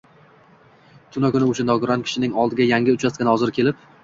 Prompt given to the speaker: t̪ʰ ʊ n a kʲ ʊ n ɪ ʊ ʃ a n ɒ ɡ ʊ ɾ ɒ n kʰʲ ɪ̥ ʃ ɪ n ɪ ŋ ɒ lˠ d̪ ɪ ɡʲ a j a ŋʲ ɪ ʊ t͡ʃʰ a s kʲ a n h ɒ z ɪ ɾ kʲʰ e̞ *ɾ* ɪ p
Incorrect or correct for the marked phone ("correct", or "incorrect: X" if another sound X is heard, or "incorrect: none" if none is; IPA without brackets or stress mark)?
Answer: incorrect: l